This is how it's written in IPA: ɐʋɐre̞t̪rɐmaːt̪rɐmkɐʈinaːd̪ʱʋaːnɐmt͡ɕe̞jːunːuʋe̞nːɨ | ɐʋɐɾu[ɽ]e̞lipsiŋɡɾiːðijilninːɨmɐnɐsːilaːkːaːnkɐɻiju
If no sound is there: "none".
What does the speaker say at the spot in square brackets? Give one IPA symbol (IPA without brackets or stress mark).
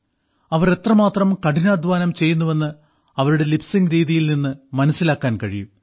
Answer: ɽ